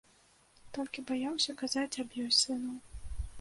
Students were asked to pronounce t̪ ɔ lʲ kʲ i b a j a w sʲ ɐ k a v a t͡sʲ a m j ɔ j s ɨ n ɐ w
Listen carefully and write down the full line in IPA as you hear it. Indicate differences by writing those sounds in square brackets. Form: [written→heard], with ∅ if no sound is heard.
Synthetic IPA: t̪ ɔ lʲ kʲ i b a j a w sʲ ɐ k a [v→z] a t͡sʲ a [m→b] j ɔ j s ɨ n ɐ w